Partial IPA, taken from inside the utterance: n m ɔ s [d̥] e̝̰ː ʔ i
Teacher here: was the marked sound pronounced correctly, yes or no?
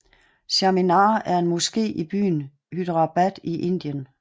no